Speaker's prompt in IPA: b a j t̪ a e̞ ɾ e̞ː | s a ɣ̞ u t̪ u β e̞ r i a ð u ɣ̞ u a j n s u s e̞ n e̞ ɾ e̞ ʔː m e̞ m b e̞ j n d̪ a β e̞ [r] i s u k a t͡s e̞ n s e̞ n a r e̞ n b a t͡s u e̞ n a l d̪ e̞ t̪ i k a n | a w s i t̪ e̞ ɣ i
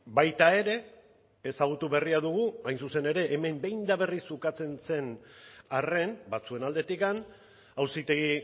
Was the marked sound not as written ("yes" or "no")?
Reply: no